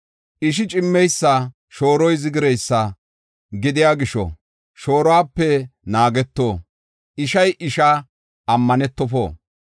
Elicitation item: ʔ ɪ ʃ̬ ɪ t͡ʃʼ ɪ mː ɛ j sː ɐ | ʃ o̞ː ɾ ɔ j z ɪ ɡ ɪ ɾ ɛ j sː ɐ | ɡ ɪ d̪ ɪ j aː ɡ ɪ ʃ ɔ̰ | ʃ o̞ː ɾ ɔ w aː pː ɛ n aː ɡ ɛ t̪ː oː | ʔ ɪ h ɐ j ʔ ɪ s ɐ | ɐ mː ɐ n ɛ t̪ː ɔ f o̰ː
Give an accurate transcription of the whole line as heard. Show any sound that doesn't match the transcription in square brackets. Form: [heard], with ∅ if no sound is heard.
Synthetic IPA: ʔ ɪ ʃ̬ ɪ t͡ʃʼ ɪ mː ɛ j sː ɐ | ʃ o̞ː ɾ ɔ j z ɪ ɡ ɪ ɾ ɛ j sː ɐ | ɡ ɪ d̪ ɪ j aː ɡ ɪ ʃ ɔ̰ | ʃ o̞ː ɾ ɔ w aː pː ɛ n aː ɡ ɛ t̪ː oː | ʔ ɪ [ʃ] ɐ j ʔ ɪ [ʃ] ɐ | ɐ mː ɐ n ɛ t̪ː ɔ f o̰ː